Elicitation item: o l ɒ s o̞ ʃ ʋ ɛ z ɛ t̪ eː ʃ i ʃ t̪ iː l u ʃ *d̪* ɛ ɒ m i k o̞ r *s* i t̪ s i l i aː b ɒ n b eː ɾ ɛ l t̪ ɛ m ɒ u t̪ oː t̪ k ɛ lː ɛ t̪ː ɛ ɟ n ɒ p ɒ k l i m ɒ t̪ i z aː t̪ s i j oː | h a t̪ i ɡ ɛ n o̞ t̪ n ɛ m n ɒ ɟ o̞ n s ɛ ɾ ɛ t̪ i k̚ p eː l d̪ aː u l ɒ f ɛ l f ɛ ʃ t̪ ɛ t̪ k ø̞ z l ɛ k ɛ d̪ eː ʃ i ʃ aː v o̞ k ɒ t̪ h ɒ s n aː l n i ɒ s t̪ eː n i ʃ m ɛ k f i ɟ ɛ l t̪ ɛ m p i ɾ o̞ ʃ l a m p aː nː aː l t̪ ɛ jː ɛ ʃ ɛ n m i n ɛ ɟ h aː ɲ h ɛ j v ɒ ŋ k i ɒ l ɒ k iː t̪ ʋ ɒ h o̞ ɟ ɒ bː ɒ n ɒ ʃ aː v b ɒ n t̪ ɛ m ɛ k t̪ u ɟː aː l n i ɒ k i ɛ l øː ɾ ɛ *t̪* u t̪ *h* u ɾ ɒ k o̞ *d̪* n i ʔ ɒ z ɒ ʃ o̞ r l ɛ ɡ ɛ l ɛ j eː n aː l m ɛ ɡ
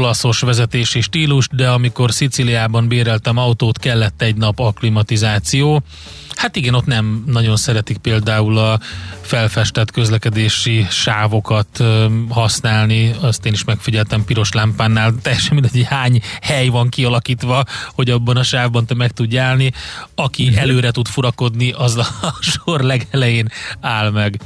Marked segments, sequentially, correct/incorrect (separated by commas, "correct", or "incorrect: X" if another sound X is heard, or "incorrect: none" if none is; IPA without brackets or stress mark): correct, correct, correct, incorrect: f, correct